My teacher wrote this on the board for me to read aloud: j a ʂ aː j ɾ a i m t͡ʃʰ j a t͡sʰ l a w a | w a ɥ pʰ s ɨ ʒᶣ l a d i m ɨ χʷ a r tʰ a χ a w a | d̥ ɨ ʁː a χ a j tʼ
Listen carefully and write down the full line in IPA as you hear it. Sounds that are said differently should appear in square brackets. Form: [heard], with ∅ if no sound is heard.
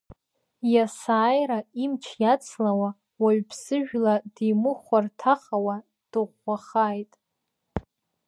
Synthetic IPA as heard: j a [s] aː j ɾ a i m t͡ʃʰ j a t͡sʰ l a w a | w a ɥ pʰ s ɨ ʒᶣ l a d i m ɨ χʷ a r tʰ a χ a w a | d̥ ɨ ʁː a χ a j tʼ

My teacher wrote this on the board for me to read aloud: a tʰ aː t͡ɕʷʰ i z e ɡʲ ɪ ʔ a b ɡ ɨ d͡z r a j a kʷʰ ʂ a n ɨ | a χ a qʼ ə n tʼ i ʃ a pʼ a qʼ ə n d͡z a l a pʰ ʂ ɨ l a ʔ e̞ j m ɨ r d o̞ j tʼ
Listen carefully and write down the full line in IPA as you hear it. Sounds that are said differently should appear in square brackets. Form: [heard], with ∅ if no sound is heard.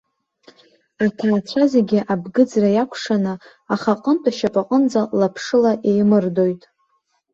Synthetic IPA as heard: a tʰ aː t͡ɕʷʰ [a] z e ɡʲ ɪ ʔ a b ɡ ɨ d͡z r a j a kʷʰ ʂ a n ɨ | a χ a qʼ ə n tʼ [a] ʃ a pʼ a qʼ ə n d͡z a l a pʰ ʂ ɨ l a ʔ e̞ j m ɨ r d o̞ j tʼ

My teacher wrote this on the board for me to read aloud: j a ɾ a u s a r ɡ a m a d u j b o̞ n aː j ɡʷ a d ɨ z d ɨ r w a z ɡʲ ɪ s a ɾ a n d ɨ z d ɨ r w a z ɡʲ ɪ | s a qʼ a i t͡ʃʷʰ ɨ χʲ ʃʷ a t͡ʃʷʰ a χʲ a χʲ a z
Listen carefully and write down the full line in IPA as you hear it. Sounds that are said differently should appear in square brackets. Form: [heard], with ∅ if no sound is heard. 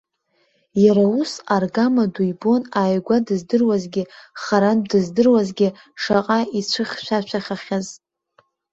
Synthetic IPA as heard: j a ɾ a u s a r ɡ a m a d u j b o̞ n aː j ɡʷ a d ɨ z d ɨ r w a z ɡʲ ɪ [χ] a ɾ a n d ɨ z d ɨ r w a z ɡʲ ɪ | [ʂ] a qʼ a i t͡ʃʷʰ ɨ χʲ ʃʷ a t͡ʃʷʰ a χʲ a χʲ a z

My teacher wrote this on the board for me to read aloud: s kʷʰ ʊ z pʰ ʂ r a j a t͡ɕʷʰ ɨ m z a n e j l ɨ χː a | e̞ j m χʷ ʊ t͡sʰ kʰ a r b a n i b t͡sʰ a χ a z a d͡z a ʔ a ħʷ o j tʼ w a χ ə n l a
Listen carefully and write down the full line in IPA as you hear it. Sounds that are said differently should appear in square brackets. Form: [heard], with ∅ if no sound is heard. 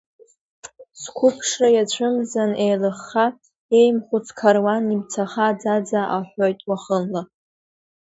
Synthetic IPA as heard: s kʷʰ ʊ [∅] pʰ ʂ r a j a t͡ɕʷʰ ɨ m z a n e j l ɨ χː a | e̞ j m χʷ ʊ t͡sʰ kʰ a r [w] a n i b t͡sʰ a χ a [d͡z] a d͡z a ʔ a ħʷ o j tʼ w a χ ə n l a

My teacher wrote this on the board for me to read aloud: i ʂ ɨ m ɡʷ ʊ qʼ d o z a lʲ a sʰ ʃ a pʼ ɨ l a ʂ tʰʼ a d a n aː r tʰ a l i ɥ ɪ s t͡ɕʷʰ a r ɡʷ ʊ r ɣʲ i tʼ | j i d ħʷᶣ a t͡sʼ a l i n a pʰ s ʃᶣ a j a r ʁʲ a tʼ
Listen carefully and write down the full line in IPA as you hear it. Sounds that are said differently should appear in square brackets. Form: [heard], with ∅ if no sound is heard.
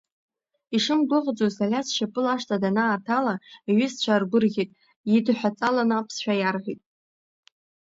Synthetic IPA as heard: i ʂ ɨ m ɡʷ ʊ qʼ [d͡z] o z a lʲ a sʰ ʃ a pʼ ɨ l a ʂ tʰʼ a d a n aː r tʰ a l [a] ɥ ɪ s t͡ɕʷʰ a r ɡʷ ʊ r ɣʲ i tʼ | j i d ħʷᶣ a t͡sʼ a l [a] n a pʰ s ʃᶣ a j a r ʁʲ [i] tʼ

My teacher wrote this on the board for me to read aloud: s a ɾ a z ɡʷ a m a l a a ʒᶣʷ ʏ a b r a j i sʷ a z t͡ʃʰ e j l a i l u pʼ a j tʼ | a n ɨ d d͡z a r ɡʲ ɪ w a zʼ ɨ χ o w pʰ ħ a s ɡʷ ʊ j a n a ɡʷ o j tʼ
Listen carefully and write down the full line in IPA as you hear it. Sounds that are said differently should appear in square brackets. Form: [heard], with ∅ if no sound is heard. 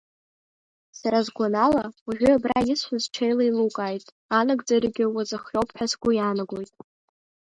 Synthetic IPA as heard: s a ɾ a z ɡʷ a [n] a l a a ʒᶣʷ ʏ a b r a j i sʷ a z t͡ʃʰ e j l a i l u [kʼ] a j tʼ | a n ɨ [ɡ] d͡z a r ɡʲ ɪ w a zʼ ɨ χ o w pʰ ħ a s ɡʷ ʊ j a n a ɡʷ o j tʼ

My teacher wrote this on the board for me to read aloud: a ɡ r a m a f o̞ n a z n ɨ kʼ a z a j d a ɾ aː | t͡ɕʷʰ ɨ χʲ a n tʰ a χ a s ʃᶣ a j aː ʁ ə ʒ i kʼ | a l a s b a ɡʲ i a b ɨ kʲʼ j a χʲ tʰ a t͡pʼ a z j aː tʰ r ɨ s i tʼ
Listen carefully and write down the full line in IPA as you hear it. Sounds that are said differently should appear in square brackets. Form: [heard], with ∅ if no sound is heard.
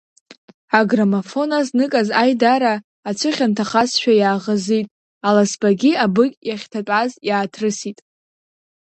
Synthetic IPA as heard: a ɡ r a m a f o̞ n a z n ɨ kʼ a z a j d a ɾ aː | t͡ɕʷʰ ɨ χʲ a n tʰ a χ a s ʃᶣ a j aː ʁ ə [z] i [tʼ] | a l a s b a ɡʲ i a b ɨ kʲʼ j a χʲ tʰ a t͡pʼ a z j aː tʰ r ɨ s i tʼ

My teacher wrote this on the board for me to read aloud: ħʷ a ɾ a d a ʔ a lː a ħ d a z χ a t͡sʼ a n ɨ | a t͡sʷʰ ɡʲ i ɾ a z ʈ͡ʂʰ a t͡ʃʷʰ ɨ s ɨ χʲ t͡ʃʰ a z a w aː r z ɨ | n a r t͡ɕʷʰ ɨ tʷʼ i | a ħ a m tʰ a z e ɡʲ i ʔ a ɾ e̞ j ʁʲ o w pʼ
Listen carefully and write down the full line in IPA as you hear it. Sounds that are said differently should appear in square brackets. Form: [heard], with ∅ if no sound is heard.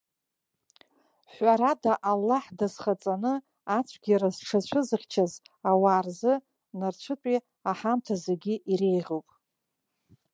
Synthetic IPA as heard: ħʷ a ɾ a d a ʔ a lː a ħ d a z χ a t͡sʼ a n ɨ | a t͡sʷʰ ɡʲ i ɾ a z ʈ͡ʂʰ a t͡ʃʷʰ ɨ [z] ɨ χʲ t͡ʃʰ a z a w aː r z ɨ | n a r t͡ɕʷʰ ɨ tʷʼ i | a ħ a m tʰ a z e ɡʲ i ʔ [i] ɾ e̞ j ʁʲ o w pʼ

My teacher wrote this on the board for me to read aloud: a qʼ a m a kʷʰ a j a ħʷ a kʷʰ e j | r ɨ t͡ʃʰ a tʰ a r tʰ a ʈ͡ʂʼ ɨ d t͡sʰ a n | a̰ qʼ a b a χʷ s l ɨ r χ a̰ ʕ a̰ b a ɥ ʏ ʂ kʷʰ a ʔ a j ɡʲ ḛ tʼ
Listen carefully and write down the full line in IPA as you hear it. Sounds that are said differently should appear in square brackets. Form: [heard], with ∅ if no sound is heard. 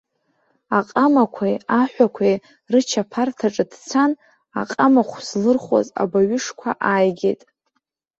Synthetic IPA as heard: a qʼ a m a kʷʰ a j a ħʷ a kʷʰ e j | r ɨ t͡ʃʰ a [pʰ] a r tʰ a ʈ͡ʂʼ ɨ d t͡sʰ a n | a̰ qʼ a [m] a χʷ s l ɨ r χ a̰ [z] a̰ b a ɥ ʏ ʂ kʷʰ a ʔ a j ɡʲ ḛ tʼ

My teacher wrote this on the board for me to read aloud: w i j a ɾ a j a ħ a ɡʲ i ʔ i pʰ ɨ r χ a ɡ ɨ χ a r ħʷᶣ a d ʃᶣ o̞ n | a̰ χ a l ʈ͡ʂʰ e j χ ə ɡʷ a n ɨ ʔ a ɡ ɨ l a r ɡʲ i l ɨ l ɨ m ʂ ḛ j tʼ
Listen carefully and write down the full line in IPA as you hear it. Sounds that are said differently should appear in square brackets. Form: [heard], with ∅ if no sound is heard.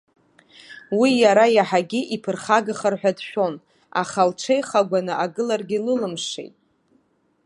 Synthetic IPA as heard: w i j a ɾ a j a ħ a ɡʲ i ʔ i pʰ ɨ r χ a ɡ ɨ χ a r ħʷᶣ a d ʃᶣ o̞ n | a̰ χ a l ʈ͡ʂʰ e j χ [a] ɡʷ a n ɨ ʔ a ɡ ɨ l a r ɡʲ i l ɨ l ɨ m ʂ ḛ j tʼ

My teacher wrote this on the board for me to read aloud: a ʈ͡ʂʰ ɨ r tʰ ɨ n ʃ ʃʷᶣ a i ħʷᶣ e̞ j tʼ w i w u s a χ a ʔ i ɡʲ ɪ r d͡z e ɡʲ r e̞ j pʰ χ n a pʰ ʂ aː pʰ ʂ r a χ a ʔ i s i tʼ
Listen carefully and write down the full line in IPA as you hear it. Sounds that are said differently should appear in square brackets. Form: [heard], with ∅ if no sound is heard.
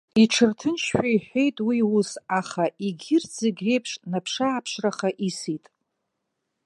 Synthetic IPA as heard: [i] ʈ͡ʂʰ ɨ r tʰ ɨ n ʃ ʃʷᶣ a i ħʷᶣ e̞ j tʼ w i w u s a χ a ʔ i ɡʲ ɪ r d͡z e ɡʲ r e̞ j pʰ [ʂ] n a pʰ ʂ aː pʰ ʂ r a χ a ʔ i s i tʼ

